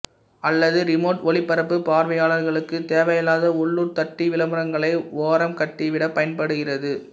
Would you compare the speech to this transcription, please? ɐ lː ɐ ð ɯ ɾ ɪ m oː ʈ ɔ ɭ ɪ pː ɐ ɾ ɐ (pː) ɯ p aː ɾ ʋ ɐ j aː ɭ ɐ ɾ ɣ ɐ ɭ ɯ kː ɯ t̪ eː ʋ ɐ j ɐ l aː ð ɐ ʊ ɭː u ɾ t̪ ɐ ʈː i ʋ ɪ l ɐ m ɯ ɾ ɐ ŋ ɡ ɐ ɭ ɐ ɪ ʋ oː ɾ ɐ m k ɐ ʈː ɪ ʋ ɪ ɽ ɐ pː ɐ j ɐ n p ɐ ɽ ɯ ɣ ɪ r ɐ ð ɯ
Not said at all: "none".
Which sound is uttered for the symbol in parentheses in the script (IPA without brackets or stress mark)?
pː